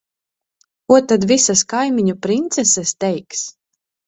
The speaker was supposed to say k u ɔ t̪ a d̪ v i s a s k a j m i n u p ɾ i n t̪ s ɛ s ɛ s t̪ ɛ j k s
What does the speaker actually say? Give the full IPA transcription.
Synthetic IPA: k u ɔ t̪ a d̪ v i s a s k a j m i ɲ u p ɾ i n t̪ s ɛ s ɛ s t̪ ɛ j k s